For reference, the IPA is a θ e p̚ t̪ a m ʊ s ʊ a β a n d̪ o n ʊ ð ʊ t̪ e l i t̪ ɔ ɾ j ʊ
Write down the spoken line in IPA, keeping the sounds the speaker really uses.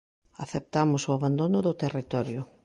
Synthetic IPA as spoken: a θ e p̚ t̪ a m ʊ s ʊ a β a n d̪ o n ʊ ð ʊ t̪ e r i t̪ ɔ ɾ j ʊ